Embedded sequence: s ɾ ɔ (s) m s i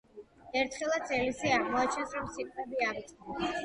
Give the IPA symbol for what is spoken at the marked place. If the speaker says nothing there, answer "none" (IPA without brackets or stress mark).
none